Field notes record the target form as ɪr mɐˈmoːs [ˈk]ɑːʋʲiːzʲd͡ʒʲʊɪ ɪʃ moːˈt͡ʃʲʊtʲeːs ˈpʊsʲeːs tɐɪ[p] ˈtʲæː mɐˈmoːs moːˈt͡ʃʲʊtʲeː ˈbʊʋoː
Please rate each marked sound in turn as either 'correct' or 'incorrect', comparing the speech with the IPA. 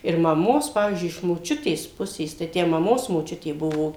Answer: incorrect: p, incorrect: none

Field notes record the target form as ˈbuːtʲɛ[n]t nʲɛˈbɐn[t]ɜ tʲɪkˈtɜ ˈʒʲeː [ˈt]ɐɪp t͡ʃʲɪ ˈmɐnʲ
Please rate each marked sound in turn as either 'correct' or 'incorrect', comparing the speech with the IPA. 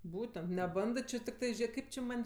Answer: correct, incorrect: d, incorrect: k

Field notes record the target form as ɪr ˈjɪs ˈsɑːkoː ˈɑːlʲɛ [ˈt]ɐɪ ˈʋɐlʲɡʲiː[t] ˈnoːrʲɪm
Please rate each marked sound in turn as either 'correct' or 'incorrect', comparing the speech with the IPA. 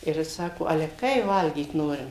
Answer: incorrect: k, correct

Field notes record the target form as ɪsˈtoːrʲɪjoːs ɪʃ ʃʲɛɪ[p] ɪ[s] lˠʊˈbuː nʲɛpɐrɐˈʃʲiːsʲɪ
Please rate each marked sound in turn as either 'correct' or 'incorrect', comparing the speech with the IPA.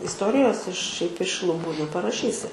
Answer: correct, incorrect: ʃ

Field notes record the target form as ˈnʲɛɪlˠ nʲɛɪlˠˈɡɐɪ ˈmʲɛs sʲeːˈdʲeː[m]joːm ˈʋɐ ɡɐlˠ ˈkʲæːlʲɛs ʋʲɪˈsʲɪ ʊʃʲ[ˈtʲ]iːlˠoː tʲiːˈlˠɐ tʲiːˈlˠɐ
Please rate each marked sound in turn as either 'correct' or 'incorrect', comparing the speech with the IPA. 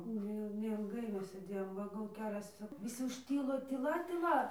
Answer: incorrect: none, correct

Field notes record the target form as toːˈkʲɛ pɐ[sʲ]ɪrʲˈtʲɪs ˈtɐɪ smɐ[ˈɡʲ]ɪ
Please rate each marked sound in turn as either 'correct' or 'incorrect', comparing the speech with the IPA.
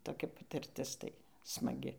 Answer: incorrect: tʲ, correct

